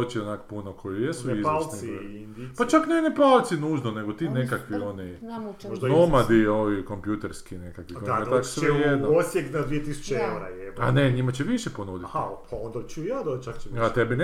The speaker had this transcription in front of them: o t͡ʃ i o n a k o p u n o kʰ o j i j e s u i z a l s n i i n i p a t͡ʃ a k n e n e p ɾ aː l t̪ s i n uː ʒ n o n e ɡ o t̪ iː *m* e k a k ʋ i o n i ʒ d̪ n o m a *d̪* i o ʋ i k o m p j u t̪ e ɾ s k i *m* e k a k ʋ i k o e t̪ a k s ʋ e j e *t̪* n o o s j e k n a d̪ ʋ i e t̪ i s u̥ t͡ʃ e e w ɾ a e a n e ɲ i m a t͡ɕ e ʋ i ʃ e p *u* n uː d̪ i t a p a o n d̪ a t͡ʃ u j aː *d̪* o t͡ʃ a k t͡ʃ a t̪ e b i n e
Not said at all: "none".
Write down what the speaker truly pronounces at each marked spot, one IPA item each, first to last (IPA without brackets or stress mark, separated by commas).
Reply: n, d̪, n, d̪, o, d̪